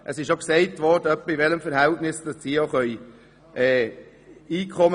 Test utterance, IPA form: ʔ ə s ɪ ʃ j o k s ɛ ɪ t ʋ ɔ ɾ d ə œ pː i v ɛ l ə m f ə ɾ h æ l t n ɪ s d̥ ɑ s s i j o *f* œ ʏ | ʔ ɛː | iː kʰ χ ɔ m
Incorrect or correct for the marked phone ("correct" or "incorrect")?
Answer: incorrect